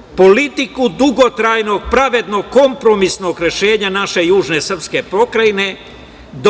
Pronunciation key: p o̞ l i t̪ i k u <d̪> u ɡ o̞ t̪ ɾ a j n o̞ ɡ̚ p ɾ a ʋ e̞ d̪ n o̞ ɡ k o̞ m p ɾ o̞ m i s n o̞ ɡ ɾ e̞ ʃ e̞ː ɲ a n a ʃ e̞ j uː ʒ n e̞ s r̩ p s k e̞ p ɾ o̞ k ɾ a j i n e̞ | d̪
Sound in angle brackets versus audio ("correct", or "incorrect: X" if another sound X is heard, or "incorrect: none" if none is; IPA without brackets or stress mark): correct